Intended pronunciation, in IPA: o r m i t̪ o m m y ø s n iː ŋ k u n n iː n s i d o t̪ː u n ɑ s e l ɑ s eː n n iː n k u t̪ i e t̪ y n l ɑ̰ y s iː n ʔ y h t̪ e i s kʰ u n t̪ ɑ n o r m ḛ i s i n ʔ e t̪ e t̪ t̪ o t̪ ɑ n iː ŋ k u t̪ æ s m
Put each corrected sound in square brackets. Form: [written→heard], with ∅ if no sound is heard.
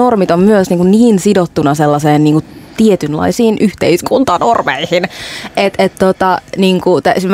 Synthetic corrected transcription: o r m i t̪ o m m y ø s n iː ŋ k u n n iː n s i d o t̪ː u n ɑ s e [l→lː] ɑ s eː n n iː [n→ŋ] k u t̪ i e t̪ y n l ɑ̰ [y→i] s iː n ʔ y h t̪ e i s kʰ u n t̪ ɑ n o r m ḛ i [s→h] i n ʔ e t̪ e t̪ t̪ o t̪ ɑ n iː ŋ k u t̪ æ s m